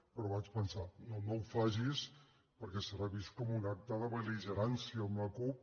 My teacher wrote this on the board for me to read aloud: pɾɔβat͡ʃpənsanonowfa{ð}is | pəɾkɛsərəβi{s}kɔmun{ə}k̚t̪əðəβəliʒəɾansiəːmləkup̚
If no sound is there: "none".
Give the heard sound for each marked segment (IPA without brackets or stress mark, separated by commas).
ʒ, s, a